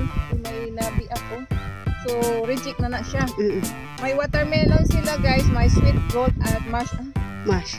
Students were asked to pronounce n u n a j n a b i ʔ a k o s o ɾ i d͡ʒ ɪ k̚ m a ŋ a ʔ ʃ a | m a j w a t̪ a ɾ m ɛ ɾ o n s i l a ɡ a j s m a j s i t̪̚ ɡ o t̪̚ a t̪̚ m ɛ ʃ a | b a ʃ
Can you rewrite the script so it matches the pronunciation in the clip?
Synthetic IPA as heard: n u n a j n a b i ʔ a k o s o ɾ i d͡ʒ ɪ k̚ n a n a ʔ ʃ a | m a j w a t̪ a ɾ m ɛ l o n s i l a ɡ a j s m a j s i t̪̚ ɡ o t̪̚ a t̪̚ m a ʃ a | m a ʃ